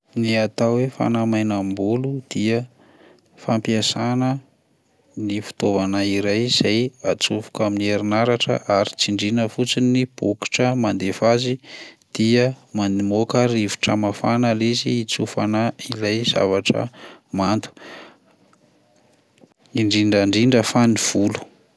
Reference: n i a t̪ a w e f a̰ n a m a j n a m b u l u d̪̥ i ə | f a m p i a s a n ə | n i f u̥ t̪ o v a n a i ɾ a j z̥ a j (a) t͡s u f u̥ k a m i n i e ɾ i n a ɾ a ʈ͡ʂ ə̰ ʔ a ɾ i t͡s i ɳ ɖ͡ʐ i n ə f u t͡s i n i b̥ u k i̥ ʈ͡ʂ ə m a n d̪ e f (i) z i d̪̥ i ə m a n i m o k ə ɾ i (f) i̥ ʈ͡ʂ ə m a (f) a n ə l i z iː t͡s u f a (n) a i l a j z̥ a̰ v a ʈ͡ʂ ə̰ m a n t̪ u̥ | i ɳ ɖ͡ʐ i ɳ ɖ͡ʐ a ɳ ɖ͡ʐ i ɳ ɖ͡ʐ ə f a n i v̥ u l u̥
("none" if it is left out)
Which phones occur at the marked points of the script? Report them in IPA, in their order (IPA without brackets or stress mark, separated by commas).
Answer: a, a, v, f, n